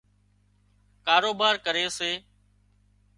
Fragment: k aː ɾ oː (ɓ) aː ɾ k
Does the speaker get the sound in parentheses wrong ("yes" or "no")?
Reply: yes